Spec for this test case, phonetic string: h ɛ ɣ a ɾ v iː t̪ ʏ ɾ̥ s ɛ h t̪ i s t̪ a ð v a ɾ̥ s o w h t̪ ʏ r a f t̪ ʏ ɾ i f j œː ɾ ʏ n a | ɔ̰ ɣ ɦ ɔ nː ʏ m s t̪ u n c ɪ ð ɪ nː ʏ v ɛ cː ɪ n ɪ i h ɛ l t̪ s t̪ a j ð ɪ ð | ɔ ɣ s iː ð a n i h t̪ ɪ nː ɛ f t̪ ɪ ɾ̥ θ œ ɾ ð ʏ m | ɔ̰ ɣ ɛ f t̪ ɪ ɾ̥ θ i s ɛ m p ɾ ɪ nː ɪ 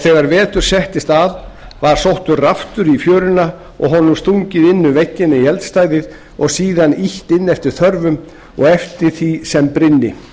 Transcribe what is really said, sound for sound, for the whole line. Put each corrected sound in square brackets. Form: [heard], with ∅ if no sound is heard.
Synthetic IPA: [θ] ɛ ɣ a ɾ v [ɛː] t̪ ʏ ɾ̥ s ɛ h t̪ [ɪ] s t̪ a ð v a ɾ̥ s o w h t̪ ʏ r a f t̪ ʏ ɾ i f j œː ɾ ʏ n a | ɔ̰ ɣ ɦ ɔ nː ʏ m s t̪ u [ɲ] c ɪ ð ɪ nː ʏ v ɛ cː ɪ n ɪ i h ɛ l t̪ s t̪ a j ð ɪ ð | ɔ ɣ s iː ð a n i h t̪ ɪ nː ɛ f t̪ ɪ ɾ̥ θ œ ɾ [v] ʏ m | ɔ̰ ɣ ɛ f t̪ ɪ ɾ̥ θ i s ɛ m p ɾ ɪ nː ɪ